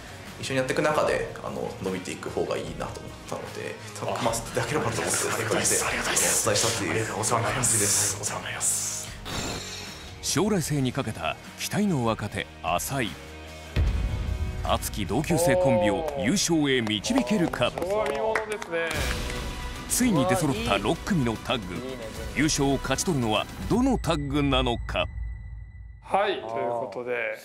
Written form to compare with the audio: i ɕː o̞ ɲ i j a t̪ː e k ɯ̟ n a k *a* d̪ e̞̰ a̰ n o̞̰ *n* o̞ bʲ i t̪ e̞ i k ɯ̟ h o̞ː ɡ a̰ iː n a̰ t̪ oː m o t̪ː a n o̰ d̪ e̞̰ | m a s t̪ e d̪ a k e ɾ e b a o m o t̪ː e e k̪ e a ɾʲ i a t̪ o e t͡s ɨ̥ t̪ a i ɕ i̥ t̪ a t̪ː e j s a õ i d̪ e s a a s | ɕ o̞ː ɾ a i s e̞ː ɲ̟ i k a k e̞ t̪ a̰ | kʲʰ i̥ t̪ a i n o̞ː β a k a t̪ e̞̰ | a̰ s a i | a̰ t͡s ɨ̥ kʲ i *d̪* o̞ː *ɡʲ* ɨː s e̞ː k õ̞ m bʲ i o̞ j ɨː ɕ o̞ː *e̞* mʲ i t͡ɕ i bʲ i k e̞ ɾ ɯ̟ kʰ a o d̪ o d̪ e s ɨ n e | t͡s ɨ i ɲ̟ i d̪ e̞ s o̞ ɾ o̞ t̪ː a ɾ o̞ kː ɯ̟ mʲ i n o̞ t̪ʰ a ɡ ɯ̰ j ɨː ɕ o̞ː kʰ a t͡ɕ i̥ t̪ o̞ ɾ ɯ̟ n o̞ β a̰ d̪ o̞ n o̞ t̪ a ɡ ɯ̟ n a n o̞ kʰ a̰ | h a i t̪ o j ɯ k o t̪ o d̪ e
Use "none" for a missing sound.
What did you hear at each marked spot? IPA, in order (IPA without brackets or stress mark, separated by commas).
a, n, d̪, kʲ, e̞